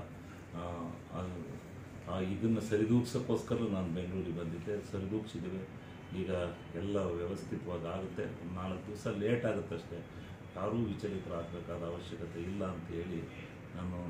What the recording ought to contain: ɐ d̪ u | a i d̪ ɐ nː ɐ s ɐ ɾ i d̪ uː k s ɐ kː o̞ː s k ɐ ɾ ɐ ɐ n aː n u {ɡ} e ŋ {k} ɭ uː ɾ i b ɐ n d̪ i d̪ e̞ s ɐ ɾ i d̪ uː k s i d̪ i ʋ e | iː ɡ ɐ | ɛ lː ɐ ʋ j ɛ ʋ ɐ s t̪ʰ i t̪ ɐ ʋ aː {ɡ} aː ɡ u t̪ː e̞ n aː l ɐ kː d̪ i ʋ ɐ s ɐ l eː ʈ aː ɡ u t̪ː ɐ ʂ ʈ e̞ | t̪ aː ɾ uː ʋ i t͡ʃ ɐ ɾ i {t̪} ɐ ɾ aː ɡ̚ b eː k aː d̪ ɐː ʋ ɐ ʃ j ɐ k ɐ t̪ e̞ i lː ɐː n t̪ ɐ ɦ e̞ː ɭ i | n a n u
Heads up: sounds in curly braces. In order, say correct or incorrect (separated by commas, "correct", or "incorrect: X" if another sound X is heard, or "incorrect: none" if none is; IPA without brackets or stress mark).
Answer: incorrect: b, incorrect: ɡ, correct, correct